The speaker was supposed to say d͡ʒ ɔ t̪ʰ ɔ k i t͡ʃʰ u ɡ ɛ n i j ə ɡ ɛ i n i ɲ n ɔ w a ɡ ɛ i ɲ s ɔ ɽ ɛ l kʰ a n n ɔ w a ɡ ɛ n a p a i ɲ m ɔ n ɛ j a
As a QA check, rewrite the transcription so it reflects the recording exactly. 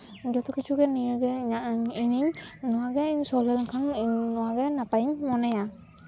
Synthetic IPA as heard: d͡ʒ ɔ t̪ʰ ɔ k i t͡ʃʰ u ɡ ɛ n i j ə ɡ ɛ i n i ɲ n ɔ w a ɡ ɛ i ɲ s ɔ l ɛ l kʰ a n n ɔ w a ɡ ɛ n a p a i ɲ m ɔ n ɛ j a